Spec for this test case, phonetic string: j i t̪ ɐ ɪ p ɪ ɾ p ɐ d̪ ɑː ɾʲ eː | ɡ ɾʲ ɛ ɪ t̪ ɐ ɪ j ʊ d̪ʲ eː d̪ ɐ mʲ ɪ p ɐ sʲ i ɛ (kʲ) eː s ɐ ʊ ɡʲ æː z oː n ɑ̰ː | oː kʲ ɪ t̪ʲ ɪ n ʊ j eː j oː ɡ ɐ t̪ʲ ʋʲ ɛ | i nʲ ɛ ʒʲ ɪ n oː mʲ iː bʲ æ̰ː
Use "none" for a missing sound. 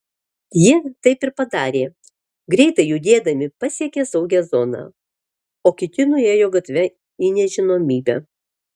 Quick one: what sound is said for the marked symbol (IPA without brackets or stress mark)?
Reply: kʲ